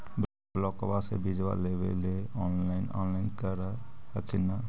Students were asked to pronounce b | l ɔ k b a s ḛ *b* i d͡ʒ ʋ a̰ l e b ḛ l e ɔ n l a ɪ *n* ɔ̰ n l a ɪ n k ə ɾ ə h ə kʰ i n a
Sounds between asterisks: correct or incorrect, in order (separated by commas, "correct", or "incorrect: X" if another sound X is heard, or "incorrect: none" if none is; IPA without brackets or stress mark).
correct, correct